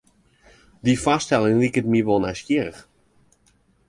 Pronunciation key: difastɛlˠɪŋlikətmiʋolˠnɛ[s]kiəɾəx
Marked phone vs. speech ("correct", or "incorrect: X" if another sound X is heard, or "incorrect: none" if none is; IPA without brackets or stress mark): correct